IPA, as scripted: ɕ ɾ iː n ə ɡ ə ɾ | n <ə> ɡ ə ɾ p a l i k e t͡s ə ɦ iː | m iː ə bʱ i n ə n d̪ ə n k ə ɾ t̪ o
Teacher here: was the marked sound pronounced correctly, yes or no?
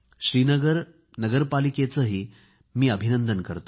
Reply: yes